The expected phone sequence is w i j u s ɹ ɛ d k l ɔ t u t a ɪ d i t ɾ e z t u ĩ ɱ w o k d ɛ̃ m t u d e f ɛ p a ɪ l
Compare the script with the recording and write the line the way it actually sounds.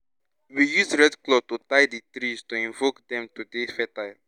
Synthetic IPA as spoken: w i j u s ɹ ɛ d k l ɔ t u t a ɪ d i t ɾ i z t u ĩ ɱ v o k d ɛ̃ m t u d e f ɛ t a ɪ l